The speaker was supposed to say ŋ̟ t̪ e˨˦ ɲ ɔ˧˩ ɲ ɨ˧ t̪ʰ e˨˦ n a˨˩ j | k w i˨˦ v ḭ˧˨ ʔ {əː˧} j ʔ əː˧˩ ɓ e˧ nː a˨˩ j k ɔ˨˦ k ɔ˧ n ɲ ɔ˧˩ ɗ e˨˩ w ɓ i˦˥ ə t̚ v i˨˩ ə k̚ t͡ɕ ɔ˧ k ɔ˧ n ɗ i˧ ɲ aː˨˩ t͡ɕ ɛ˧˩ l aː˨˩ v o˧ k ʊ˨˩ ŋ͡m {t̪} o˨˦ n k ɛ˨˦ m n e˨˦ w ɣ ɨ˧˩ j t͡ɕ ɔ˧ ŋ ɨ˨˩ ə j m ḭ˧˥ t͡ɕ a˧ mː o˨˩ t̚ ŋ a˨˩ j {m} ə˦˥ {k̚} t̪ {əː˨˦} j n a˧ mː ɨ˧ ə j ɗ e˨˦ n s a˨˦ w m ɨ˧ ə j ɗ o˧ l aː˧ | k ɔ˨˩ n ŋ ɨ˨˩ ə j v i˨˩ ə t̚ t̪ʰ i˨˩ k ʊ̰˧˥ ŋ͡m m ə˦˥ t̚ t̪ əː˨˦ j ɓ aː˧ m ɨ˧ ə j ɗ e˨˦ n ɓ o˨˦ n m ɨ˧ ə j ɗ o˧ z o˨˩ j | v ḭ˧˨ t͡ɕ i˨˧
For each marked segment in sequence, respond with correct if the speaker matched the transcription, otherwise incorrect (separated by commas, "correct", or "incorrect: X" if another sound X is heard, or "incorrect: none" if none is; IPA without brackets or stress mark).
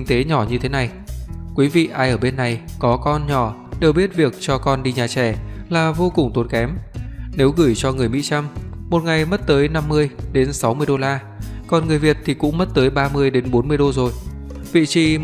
incorrect: aː˧, correct, correct, incorrect: t̚, correct